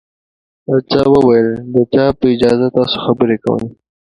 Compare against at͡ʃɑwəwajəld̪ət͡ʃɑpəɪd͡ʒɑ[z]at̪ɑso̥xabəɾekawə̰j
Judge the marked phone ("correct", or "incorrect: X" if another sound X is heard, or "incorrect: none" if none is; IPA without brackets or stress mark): correct